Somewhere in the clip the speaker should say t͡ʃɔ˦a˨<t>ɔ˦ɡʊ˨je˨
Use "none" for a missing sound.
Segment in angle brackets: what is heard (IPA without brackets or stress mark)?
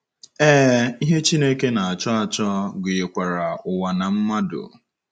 t͡ʃ